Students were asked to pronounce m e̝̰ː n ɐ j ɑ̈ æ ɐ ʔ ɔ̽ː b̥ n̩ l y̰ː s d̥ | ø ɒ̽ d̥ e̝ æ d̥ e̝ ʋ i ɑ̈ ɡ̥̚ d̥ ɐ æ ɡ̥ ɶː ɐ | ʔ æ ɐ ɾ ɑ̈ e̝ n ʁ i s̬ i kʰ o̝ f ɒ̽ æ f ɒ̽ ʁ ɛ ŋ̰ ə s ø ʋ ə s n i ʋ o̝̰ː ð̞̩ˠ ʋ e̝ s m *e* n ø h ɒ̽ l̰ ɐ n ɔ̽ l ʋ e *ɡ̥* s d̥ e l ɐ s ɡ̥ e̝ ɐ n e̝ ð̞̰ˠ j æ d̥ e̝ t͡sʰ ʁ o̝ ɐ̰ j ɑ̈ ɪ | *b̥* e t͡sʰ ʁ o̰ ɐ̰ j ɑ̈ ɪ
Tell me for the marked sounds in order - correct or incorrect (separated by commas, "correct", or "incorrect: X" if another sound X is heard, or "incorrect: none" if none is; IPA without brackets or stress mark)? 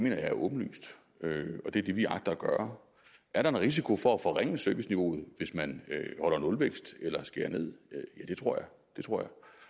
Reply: incorrect: æ, correct, incorrect: d̥